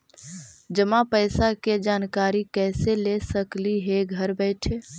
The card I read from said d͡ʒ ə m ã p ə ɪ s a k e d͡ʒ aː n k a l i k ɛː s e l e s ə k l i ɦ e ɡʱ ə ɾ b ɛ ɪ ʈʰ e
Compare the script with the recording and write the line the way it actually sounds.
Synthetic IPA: d͡ʒ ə m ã p ə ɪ s a k e d͡ʒ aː n k a ɾ i k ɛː s e l e s ə k l i ɦ e ɡʱ ə ɾ b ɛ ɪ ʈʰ e